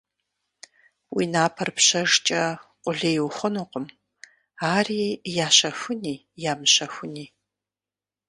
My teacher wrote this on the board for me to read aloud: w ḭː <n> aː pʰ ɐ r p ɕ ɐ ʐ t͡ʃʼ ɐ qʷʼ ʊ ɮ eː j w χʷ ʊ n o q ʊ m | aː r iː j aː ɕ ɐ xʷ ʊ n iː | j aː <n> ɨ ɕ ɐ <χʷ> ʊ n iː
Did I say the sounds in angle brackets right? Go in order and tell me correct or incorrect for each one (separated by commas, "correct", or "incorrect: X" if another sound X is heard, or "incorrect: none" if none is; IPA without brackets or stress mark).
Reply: correct, incorrect: m, incorrect: xʷ